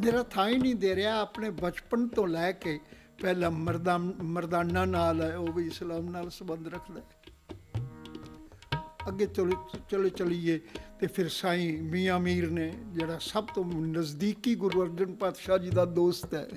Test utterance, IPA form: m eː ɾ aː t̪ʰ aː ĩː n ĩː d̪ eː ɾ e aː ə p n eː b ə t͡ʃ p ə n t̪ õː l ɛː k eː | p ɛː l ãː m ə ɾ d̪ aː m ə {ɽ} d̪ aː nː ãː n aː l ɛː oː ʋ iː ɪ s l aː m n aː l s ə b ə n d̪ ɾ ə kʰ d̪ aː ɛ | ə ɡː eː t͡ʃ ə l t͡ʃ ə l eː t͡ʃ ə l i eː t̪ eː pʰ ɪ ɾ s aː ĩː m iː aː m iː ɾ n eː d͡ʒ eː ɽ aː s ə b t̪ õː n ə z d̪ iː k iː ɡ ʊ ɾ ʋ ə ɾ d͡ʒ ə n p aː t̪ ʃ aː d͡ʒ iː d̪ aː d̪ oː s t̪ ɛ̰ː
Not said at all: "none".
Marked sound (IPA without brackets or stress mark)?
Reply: ɾ